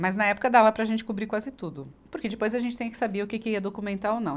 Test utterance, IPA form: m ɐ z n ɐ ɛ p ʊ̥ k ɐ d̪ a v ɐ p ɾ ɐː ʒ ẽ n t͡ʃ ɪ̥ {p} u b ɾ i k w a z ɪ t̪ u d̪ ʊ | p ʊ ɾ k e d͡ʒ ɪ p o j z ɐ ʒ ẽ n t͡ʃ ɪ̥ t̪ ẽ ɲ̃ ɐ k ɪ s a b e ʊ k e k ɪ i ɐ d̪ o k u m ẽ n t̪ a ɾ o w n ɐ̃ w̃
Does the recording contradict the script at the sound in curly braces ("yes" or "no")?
yes